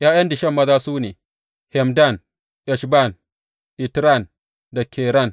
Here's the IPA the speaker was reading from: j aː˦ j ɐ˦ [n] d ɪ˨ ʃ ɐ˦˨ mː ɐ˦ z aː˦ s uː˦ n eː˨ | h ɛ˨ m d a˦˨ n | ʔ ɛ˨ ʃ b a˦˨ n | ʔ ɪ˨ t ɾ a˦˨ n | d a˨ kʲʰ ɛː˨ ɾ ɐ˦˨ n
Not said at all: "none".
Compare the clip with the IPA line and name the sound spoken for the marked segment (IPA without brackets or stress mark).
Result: n